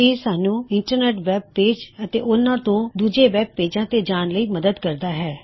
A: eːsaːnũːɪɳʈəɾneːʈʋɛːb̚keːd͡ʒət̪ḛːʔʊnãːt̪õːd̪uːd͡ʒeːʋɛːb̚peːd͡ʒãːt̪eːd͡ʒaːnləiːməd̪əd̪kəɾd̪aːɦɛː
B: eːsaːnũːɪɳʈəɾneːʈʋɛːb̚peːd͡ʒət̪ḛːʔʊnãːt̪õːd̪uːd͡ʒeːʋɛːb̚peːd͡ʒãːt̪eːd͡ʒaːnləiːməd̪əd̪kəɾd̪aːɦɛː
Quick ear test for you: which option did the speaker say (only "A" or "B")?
B